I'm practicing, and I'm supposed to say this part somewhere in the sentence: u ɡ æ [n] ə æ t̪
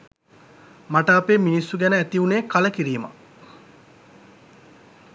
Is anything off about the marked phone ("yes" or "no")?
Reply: no